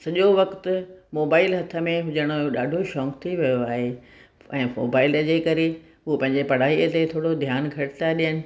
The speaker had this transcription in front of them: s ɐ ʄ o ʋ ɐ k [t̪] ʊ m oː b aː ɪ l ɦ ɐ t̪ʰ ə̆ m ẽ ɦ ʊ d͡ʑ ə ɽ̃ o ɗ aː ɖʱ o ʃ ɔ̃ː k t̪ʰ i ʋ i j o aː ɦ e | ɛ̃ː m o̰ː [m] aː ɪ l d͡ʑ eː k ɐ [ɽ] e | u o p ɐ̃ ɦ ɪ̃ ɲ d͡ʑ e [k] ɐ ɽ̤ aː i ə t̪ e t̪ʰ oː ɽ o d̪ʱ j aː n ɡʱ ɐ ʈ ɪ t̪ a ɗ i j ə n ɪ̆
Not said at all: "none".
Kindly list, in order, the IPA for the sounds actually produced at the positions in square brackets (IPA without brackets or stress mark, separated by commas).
t̪, b, ɾ, p